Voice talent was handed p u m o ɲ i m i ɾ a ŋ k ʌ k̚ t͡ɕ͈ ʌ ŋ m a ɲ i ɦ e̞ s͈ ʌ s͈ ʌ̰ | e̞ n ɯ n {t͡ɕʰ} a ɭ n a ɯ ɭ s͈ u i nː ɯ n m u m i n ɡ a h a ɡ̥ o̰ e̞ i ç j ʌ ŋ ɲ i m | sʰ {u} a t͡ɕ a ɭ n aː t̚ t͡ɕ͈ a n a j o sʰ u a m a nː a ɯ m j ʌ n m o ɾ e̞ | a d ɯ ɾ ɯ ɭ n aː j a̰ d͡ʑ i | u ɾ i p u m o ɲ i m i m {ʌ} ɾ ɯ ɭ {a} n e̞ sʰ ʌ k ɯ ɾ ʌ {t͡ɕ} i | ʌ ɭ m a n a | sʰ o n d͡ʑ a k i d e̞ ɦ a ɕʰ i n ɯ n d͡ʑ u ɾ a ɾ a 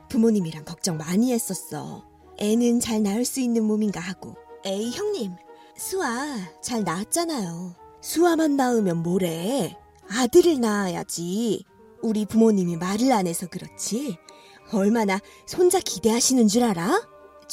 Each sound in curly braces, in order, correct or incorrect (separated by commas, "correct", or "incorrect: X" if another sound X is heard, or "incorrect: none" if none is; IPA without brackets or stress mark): incorrect: t͡ɕ, correct, incorrect: a, correct, incorrect: t͡ɕʰ